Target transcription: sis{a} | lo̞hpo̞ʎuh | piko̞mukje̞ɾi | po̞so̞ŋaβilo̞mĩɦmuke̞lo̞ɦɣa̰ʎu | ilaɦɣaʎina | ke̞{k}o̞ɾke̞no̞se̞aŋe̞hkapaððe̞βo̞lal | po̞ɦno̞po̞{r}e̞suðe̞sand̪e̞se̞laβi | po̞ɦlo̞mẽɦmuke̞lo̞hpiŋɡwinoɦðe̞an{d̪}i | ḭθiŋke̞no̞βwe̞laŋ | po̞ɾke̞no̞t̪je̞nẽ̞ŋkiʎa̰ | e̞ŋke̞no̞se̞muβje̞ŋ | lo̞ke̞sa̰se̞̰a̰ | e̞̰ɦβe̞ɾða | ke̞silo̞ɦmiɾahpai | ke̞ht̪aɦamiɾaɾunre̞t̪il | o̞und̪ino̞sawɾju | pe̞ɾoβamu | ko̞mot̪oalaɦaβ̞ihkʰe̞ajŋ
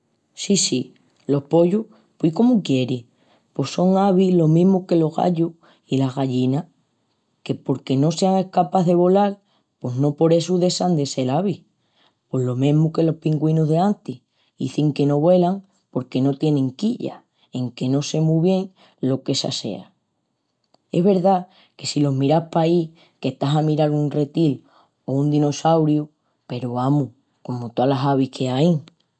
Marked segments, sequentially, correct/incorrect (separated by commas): incorrect, incorrect, incorrect, incorrect